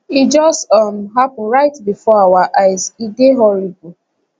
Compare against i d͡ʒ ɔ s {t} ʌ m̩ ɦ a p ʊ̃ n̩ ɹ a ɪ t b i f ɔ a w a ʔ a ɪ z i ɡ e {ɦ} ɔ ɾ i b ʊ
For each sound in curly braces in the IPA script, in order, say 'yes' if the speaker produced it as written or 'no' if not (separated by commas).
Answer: yes, yes